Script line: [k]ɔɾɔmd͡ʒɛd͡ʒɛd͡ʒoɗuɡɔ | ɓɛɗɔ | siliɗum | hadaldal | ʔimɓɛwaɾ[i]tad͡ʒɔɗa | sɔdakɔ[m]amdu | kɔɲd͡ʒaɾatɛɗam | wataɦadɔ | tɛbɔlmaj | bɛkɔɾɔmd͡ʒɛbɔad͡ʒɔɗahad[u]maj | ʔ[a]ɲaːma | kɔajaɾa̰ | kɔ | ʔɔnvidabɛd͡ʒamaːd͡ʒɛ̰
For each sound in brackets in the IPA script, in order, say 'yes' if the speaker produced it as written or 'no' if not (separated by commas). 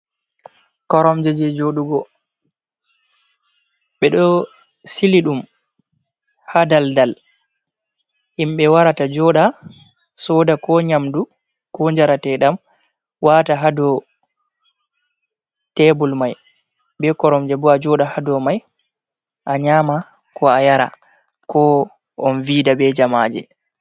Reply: yes, no, no, no, yes